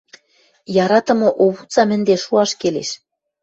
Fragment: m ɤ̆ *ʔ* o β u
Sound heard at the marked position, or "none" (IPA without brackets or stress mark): ʔ